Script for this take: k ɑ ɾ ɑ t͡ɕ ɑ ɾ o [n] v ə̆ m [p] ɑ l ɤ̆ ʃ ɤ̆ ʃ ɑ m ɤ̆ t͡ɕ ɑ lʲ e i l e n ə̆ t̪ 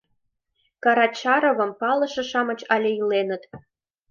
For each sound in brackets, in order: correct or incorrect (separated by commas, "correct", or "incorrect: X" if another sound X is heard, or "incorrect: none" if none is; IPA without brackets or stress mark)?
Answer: incorrect: none, correct